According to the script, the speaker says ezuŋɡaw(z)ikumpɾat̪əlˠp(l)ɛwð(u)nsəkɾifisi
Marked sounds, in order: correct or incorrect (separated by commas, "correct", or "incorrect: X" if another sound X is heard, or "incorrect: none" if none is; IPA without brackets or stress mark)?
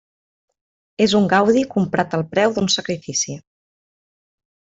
incorrect: ð, incorrect: ɾ, correct